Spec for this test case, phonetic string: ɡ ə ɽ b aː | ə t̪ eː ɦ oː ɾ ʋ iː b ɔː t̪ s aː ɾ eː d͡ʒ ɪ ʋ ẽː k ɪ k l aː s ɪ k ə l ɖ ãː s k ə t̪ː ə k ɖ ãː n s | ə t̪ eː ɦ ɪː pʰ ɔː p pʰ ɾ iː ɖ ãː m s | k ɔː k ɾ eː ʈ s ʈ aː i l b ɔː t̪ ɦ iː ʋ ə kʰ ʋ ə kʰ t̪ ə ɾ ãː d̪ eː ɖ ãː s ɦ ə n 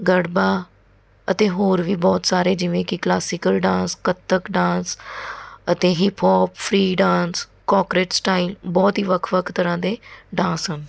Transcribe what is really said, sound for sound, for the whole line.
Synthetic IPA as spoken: ɡ ə ɽ b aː | ə t̪ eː ɦ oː ɾ ʋ iː b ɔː t̪ s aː ɾ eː d͡ʒ ɪ ʋ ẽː k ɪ k l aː s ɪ k ə l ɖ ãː s k ə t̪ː ə k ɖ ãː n s | ə t̪ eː ɦ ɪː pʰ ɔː p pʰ ɾ iː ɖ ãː n s | k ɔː k ɾ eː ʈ s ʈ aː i l b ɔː t̪ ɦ iː ʋ ə kʰ ʋ ə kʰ t̪ ə ɾ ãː d̪ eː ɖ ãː s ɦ ə n